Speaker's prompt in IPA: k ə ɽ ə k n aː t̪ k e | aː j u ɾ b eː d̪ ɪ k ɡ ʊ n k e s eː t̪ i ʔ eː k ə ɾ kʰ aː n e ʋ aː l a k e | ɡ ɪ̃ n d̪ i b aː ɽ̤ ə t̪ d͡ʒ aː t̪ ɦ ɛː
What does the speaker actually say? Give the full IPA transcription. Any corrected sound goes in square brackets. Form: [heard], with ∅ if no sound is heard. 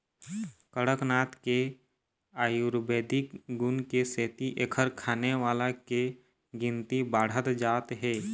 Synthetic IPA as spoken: k ə ɽ ə k n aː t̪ k e | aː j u ɾ b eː d̪ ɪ k ɡ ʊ n k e s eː t̪ i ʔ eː [kʰ] ə ɾ kʰ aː n e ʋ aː l a k e | ɡ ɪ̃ n [t̪] i b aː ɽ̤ ə t̪ d͡ʒ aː t̪ ɦ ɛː